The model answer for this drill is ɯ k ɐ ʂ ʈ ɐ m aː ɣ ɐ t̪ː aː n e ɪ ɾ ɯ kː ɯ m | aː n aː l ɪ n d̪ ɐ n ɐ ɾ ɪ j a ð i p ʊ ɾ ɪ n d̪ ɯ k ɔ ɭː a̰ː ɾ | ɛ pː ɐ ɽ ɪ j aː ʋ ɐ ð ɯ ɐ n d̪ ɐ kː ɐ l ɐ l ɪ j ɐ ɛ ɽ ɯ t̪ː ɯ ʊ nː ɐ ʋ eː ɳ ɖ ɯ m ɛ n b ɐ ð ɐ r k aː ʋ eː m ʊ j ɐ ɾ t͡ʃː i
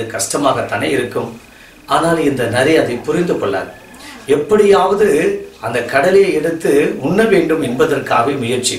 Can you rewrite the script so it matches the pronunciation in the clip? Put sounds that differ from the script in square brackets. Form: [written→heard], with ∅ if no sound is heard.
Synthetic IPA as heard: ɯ k ɐ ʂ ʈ ɐ m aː ɣ ɐ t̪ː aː n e ɪ ɾ ɯ kː ɯ m | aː n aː l ɪ n d̪ ɐ n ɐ ɾ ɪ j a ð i p ʊ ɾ ɪ n d̪ ɯ k ɔ ɭː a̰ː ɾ | ɛ pː ɐ ɽ ɪ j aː ʋ ɐ ð ɯ ɐ n d̪ ɐ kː ɐ [l→ɽ] ɐ l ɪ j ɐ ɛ ɽ ɯ t̪ː ɯ ʊ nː ɐ ʋ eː ɳ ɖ ɯ m ɛ n b ɐ ð ɐ r k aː ʋ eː m ʊ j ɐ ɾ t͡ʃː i